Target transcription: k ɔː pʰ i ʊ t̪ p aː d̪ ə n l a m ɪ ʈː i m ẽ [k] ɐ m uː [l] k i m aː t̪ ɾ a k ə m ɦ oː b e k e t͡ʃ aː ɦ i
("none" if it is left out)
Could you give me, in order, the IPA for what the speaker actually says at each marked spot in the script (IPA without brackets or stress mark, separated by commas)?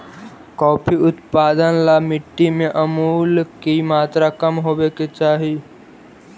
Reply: ʔ, l